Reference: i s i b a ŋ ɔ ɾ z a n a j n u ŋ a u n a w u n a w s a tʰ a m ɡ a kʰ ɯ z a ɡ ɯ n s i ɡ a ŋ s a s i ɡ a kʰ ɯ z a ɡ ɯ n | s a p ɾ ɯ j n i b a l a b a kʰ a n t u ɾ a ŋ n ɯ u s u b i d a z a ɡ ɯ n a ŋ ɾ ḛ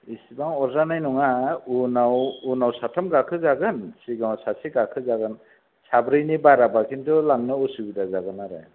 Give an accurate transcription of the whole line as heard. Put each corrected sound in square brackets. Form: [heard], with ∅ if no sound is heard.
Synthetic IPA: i s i b a ŋ ɔ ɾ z a n a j n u ŋ a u n a w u n a w s a tʰ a m ɡ a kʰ ɯ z a ɡ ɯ n s i ɡ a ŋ s a s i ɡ a kʰ ɯ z a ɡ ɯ n | s a [b] ɾ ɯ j n i b a [ɾ] a b a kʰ [i] n t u [l] a ŋ n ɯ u s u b i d a z a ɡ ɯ n a [∅] ɾ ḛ